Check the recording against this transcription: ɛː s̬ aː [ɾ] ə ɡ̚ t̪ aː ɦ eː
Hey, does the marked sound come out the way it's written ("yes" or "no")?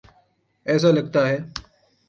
no